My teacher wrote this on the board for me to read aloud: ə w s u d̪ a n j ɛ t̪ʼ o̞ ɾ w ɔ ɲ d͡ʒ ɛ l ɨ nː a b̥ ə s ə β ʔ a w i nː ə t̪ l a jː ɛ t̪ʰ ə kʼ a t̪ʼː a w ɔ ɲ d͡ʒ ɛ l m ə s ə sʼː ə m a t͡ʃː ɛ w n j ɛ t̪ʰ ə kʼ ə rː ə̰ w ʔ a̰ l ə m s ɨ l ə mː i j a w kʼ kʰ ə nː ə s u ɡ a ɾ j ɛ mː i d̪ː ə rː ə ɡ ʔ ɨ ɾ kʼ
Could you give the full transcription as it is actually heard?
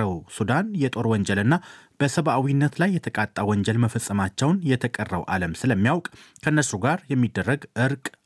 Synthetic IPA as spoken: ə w s u d̪ a n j ɛ t̪ʼ o̞ ɾ w ɔ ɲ d͡ʒ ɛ l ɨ nː a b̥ ə s ə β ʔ a w i nː ə t̪ l a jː ɛ t̪ʰ ə kʼ a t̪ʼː a w ɔ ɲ d͡ʒ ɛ l m ə f ə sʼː ə m a t͡ʃː ɛ w n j ɛ t̪ʰ ə kʼ ə rː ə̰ w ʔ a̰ l ə m s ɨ l ə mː i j a w kʼ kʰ ə nː ə s u ɡ a ɾ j ɛ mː i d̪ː ə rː ə ɡ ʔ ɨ ɾ kʼ